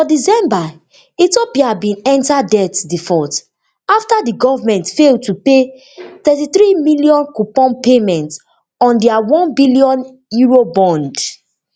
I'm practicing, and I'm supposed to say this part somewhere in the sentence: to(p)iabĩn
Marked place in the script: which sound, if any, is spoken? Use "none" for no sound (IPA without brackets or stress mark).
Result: p